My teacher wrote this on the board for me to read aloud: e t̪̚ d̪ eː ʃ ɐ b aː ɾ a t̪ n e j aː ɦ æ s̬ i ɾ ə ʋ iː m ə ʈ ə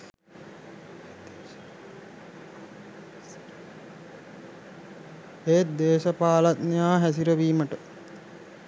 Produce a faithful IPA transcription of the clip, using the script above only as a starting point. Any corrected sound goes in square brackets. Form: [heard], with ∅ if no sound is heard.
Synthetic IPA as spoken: e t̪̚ d̪ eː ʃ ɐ [p] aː [l] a t̪ n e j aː ɦ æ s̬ i ɾ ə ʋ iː m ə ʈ ə